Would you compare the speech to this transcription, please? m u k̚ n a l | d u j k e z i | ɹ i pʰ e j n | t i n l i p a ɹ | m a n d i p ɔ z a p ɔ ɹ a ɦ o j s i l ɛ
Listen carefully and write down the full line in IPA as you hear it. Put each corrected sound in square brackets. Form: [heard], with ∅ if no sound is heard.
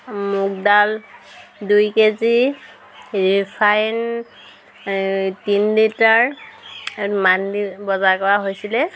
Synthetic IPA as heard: m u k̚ [d] a l | d u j k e z i | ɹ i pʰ [a] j n | t i n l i [t] a ɹ | m a n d i [b] ɔ z a [k] ɔ ɹ a ɦ o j s i l ɛ